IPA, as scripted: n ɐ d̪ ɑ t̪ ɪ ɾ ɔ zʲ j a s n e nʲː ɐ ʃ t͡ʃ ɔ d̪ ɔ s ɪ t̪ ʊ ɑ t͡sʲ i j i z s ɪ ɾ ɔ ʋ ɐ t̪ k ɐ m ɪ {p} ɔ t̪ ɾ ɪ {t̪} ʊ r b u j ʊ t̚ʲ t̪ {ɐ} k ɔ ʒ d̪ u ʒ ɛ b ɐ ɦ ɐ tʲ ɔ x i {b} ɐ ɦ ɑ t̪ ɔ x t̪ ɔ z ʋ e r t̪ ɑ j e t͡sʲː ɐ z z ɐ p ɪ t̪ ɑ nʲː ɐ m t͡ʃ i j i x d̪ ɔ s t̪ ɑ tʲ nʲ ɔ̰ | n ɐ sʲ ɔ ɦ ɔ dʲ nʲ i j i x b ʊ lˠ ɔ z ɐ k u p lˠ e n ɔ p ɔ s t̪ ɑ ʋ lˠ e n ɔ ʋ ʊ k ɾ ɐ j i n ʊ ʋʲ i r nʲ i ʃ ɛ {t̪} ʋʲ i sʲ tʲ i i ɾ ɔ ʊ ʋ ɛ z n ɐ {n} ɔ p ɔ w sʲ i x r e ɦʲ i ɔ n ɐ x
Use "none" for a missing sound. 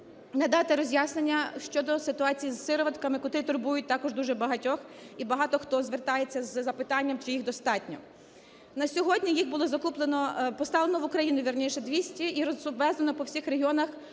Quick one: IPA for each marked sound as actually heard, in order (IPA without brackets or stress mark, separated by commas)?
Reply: k, t̪, ɑ, b, d̪, n